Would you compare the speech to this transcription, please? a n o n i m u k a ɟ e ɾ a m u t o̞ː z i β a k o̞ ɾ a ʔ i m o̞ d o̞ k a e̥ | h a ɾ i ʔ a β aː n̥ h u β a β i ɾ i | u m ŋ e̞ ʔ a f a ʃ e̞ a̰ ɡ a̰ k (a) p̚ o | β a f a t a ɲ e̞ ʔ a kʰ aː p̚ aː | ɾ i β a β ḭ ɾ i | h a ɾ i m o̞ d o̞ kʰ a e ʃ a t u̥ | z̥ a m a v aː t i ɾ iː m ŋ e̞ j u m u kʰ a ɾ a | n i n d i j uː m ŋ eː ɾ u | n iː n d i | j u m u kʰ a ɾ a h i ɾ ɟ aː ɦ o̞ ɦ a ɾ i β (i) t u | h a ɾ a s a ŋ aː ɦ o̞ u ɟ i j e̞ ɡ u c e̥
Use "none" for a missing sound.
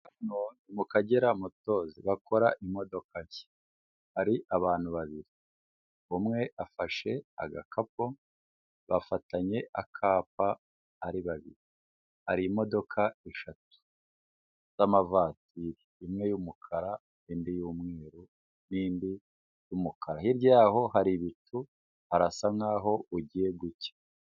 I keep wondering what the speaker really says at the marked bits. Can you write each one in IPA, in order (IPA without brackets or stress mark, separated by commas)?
a, i